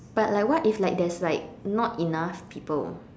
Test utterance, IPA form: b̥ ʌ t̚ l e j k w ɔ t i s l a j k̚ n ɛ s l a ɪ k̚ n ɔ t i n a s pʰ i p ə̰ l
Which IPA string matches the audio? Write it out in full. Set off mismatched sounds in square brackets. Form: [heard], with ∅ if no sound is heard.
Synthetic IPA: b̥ [a] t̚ l [a] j k w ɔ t i [f] l a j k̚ [d] ɛ s l a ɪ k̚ n ɔ t i n a [f] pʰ i p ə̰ l